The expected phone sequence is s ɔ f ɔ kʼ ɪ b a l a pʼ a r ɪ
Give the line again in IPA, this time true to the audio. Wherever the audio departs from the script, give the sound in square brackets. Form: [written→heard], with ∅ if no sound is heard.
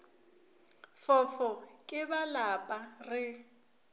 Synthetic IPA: [s→f] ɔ f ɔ kʼ ɪ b a l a pʼ a r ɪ